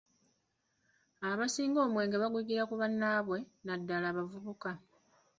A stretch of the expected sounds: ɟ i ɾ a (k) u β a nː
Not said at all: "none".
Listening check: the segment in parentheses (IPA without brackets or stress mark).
k